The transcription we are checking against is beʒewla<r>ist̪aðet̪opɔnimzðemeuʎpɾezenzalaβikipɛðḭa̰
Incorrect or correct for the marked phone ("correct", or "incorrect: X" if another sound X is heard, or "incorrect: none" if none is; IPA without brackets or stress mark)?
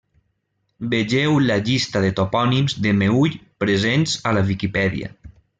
incorrect: ʎ